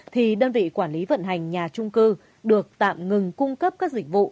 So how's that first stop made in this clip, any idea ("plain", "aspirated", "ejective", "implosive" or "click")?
aspirated